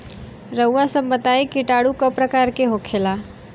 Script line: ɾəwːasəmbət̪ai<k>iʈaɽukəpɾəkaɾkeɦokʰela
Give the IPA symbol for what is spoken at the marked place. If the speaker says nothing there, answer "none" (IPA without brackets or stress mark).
k